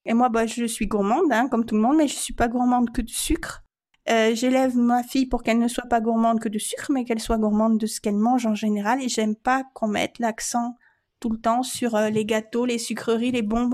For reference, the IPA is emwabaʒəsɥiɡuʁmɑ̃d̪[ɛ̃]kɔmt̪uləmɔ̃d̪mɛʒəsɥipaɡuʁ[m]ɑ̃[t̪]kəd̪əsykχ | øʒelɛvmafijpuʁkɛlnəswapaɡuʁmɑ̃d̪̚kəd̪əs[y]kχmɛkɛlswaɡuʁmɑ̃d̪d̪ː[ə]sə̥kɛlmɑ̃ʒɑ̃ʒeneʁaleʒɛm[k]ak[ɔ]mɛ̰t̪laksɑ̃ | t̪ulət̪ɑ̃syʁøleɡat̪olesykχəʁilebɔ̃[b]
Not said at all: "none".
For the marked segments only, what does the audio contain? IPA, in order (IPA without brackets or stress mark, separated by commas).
ɛ̃, m, d̪, y, ə, p, ɔ̃, b